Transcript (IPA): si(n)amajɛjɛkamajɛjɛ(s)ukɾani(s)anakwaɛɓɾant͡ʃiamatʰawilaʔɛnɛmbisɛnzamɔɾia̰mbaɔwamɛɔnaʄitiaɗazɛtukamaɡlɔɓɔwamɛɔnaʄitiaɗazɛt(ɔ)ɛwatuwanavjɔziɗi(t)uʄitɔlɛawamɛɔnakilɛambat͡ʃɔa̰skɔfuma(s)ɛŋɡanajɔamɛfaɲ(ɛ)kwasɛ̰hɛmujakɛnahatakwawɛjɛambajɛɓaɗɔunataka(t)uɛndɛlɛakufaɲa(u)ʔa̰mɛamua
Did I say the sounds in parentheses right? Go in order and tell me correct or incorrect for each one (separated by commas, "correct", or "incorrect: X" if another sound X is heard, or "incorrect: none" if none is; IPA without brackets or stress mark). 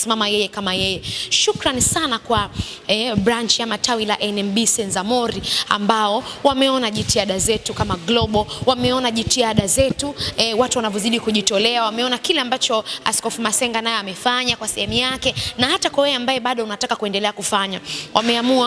incorrect: m, incorrect: ʃ, correct, incorrect: u, incorrect: k, correct, incorrect: a, incorrect: k, incorrect: w